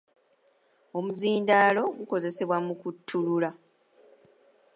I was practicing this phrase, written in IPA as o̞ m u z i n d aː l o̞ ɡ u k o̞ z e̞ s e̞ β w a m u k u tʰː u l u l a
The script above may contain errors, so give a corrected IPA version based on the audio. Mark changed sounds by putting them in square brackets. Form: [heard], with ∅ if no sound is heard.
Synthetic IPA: o̞ m u z [iː] n d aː l o̞ ɡ u k o̞ z e̞ s e̞ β w a m u k u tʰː u l u l a